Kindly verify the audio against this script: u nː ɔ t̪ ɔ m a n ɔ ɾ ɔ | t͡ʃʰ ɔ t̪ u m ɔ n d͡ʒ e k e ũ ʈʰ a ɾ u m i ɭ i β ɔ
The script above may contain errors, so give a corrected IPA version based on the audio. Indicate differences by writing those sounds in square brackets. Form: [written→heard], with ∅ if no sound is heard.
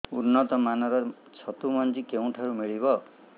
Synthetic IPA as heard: u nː ɔ t̪ ɔ m a n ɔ ɾ ɔ | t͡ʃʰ ɔ t̪ u m ɔ n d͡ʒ [e→i] k e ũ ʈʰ a ɾ u m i ɭ i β ɔ